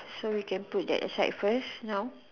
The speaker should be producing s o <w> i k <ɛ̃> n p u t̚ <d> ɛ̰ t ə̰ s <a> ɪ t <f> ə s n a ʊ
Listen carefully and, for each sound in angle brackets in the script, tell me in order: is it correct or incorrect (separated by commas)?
correct, correct, correct, correct, correct